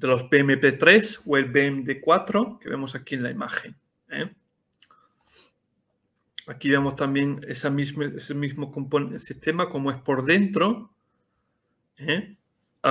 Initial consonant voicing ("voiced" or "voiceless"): voiced